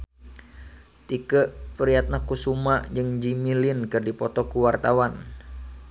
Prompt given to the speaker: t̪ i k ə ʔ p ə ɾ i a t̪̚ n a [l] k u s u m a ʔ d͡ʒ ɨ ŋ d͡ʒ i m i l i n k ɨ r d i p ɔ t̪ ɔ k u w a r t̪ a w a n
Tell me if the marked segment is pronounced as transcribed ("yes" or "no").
no